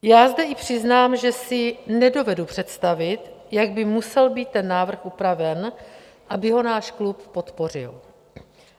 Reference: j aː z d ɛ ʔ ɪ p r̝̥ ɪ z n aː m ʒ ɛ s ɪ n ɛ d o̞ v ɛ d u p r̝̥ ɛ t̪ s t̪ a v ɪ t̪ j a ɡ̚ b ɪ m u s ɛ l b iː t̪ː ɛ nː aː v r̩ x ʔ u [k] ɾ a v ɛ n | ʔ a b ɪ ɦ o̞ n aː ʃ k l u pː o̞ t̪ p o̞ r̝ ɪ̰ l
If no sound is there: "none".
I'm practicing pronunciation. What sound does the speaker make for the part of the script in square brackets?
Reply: p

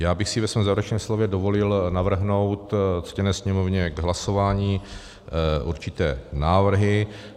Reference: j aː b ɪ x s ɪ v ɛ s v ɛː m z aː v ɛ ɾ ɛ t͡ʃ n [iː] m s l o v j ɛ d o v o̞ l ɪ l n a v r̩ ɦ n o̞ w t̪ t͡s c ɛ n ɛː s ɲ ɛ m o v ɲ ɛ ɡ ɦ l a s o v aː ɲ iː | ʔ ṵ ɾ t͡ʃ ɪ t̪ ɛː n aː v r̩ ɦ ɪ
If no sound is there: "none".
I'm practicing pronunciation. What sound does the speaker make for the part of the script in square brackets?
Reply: ɛː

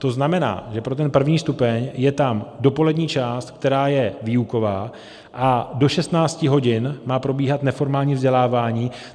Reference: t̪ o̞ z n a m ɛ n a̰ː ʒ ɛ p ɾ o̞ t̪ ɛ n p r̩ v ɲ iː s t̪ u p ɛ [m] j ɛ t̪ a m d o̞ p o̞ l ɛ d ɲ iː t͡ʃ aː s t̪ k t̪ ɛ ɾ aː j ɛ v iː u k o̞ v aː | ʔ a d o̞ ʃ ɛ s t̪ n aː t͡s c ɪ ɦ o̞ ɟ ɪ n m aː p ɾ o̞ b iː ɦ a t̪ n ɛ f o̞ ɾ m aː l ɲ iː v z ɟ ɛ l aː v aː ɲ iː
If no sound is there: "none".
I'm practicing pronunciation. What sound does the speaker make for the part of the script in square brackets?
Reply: ɲ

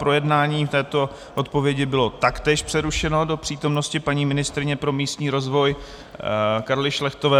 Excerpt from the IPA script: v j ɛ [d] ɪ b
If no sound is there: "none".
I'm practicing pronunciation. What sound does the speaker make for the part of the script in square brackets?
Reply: ɟ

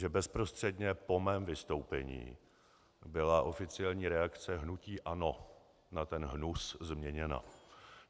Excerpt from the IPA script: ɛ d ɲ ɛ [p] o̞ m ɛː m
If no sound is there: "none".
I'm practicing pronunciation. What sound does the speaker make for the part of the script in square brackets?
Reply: p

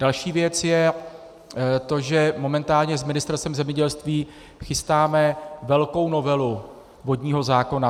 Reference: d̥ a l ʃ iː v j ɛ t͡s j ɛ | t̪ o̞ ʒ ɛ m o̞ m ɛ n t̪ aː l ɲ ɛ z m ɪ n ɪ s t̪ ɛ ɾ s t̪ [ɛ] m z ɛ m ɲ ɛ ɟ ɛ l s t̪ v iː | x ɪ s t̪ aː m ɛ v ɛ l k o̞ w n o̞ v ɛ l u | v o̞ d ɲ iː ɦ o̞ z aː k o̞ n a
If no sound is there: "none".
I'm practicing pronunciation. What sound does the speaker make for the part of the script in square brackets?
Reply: ɛ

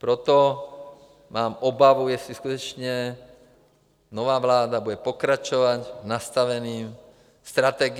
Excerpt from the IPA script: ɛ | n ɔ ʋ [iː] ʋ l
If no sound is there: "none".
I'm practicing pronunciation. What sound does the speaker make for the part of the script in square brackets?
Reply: aː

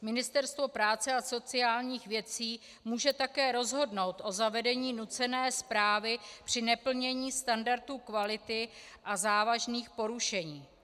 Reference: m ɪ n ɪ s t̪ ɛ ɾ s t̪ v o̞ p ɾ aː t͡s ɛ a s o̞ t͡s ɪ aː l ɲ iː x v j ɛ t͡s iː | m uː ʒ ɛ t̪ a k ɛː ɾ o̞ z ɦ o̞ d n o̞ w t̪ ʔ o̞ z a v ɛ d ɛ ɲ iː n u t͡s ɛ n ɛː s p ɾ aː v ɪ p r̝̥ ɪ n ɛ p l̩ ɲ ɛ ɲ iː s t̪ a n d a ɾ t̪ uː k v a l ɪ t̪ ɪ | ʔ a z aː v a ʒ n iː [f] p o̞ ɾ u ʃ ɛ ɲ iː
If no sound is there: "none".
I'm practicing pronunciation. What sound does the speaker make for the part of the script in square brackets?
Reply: x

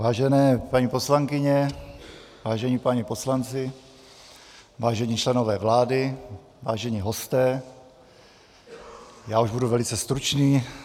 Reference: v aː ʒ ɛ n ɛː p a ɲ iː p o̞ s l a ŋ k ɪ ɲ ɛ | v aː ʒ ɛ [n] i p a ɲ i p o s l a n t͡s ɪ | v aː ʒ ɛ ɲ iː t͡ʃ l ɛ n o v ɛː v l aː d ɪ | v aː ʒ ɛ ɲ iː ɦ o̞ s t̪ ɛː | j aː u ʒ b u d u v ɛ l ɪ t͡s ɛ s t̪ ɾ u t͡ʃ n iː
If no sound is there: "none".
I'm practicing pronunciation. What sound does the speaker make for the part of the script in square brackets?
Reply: ɲ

